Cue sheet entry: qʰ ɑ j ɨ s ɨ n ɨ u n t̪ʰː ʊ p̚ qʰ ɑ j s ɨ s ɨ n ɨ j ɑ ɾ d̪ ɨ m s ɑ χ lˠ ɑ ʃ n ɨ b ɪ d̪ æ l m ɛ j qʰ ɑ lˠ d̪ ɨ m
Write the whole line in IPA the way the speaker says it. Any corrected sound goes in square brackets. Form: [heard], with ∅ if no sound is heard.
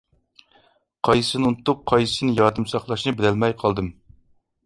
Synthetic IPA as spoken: qʰ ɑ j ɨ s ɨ n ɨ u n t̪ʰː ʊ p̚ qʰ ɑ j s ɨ s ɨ n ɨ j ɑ ɾ d̪ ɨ m s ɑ χ lˠ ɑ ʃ n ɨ b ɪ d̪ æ l m ɛ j qʰ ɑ lˠ d̪ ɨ m